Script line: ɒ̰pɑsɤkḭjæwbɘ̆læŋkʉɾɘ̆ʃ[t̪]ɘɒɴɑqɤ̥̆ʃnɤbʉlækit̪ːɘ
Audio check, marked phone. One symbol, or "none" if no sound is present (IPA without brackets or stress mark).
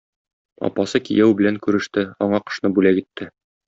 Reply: t̪